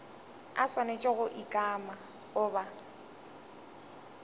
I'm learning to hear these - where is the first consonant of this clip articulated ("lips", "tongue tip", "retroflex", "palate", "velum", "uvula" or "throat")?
tongue tip